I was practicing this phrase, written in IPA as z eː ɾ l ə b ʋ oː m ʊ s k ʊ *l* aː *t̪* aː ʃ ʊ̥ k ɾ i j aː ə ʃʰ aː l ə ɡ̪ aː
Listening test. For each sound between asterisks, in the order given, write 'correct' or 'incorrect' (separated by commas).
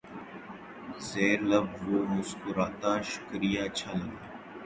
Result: incorrect, correct